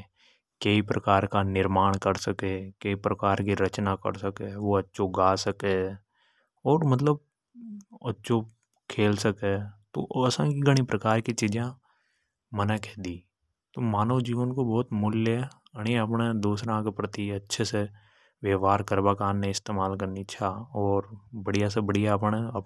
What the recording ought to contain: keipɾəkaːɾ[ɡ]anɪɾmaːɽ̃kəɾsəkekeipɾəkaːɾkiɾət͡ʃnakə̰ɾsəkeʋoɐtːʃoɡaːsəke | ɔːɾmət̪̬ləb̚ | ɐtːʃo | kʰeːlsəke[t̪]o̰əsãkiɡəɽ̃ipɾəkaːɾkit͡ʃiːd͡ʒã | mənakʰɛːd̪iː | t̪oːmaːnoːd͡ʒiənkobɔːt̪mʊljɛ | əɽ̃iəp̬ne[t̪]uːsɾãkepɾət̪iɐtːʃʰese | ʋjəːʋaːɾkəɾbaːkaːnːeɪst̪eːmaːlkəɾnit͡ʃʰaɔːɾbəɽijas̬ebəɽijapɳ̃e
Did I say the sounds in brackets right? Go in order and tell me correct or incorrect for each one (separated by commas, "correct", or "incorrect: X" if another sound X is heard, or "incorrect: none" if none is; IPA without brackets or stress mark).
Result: incorrect: k, correct, incorrect: d̪